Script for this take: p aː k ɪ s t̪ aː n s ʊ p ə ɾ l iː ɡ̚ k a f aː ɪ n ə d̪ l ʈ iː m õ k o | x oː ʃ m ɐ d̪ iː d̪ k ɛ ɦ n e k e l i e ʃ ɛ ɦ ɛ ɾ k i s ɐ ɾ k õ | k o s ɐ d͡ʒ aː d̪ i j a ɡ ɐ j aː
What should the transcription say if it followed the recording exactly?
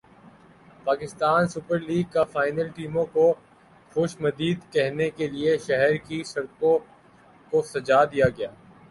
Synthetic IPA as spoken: p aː k ɪ s t̪ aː n s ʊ p ə ɾ l iː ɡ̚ k a f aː ɪ n ə l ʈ iː m õ k o | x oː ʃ m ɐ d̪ iː d̪ k ɛ ɦ n e k e l i e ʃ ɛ ɦ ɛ ɾ k i s ɐ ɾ k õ | k o s ɐ d͡ʒ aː d̪ i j a ɡ ɐ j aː

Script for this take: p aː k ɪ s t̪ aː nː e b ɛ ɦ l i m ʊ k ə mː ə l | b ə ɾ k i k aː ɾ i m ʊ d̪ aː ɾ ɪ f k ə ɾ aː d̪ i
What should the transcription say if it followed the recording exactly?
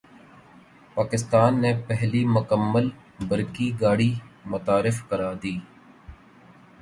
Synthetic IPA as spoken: p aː k ɪ s t̪ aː nː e p ɛ ɦ l i m ʊ k ə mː ə l | b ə ɾ k i ɡ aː ɽ i m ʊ t̪ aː ɾ ɪ f k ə ɾ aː d̪ iː

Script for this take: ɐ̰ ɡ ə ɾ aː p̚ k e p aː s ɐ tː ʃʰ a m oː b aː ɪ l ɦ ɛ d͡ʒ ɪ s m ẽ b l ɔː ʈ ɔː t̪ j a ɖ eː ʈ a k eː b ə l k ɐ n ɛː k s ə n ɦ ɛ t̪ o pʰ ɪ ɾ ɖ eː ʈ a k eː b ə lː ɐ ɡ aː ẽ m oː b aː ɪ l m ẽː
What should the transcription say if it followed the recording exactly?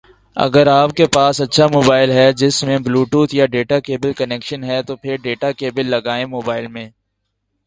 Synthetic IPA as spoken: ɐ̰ ɡ ə ɾ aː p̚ k e p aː s ɐ tː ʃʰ a m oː b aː ɪ l ɦ ɛ d͡ʒ ɪ s m ẽ b l uː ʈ uː t̪ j a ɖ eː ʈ a k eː b ə l k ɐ n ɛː k ʃ ə n ɦ ɛ t̪ o pʰ ɪ ɾ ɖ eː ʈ a k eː b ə lː ɐ ɡ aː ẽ m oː b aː ɪ l m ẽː

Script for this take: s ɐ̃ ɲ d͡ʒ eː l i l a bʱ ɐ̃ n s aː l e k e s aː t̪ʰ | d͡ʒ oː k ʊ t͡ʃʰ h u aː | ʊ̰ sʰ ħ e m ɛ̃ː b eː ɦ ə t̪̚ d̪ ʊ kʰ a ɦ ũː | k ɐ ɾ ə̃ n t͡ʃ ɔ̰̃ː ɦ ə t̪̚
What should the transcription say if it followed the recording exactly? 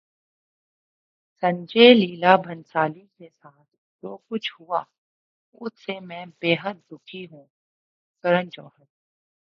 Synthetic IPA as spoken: s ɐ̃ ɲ d͡ʒ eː l iː l a bʱ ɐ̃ n s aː l i k e s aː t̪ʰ | d͡ʒ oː k ʊ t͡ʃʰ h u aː | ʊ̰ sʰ s e m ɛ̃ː b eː ɦ ə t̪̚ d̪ ʊ kʰ i ɦ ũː | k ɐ ɾ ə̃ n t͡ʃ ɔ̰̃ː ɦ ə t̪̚

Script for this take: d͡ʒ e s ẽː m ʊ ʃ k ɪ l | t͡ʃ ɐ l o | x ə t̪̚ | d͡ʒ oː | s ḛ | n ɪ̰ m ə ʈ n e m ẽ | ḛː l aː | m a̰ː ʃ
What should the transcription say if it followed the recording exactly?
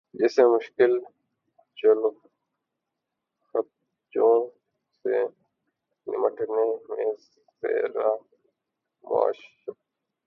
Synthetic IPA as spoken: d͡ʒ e s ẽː m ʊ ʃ k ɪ l | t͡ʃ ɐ l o | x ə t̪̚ | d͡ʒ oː | s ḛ | n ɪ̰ m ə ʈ n e m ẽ | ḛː ɾ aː | m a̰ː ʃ

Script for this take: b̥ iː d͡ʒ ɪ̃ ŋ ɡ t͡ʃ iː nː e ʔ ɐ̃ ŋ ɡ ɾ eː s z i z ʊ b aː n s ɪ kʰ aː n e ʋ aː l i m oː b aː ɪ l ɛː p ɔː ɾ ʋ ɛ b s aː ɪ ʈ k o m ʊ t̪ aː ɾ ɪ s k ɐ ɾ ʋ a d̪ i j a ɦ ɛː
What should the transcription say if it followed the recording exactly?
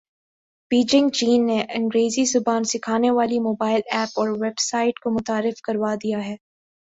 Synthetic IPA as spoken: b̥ iː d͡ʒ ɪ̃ ŋ ɡ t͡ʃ iː nː e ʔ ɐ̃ ŋ ɡ ɾ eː z i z ʊ b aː n s ɪ kʰ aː n e ʋ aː l i m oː b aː ɪ l ɛː p ɔː ɾ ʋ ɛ b s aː ɪ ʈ k o m ʊ t̪ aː ɾ ɪ f k ɐ ɾ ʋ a d̪ i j a ɦ ɛː

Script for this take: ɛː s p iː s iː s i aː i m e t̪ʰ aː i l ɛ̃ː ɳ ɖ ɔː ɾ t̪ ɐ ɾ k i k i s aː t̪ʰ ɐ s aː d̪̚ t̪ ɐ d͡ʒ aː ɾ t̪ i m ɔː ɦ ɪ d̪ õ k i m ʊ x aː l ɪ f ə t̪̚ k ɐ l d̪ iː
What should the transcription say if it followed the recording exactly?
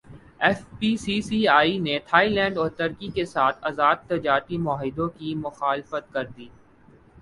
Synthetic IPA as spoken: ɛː f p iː s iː s i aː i n e t̪ʰ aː i l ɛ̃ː ɳ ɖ ɔː ɾ t̪ ɐ ɾ k i k e s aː t̪ʰ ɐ z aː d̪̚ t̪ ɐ d͡ʒ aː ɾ t̪ i m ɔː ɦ ɪ d̪ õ k i m ʊ x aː l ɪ f ə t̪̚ k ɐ ɾ d̪ iː

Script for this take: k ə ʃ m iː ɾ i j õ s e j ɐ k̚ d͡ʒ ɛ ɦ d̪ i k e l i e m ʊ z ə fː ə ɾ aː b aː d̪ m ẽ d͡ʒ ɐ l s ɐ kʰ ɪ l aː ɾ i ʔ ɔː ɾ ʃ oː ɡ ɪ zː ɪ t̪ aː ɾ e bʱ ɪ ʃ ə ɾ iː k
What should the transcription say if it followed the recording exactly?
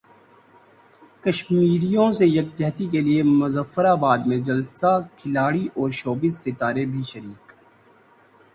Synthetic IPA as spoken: k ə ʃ m iː ɾ i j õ s e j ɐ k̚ d͡ʒ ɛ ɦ t̪ i k e l i e m ʊ z ə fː ə ɾ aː b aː d̪ m ẽ d͡ʒ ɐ l s a kʰ ɪ l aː ɽ i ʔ ɔː ɾ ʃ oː b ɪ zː ɪ t̪ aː ɾ e bʱ i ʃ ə ɾ iː k

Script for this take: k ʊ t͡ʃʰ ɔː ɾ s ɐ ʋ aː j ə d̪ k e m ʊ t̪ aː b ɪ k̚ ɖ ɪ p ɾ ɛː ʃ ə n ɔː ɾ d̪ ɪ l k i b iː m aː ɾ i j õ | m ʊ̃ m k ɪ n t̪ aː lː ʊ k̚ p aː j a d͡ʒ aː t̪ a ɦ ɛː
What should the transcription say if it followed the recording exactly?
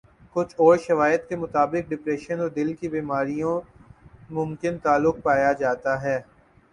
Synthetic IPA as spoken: k ʊ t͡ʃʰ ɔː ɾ ʃ ɐ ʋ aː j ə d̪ k e m ʊ t̪ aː b ɪ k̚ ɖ ɪ p ɾ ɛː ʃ ə n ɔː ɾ d̪ ɪ l k i b iː m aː ɾ i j õ | m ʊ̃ m k ɪ n t̪ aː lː ʊ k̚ p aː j a d͡ʒ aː t̪ a ɦ ɛː

